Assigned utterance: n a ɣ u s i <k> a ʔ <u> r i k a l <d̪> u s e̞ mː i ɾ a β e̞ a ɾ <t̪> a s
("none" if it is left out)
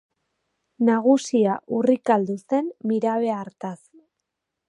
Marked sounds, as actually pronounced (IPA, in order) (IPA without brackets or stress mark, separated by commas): none, u, d̪, t̪